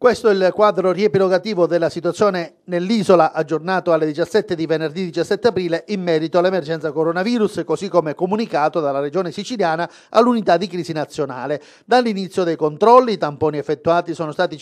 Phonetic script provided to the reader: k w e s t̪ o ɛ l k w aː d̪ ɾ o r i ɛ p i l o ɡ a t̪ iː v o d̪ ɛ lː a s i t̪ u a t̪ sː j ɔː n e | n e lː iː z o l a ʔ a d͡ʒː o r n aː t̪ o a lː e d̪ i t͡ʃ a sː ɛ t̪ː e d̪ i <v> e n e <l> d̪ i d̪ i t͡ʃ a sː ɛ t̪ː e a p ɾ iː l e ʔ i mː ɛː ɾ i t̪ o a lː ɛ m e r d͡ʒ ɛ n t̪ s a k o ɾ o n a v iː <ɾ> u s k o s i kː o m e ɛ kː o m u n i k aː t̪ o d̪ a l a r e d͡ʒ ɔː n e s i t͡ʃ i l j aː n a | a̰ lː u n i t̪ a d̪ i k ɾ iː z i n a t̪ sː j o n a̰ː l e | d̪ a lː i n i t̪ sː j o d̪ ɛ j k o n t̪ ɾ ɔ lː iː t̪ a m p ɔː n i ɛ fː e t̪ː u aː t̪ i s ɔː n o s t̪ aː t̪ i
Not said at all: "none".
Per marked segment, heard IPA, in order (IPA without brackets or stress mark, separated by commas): v, r, ɾ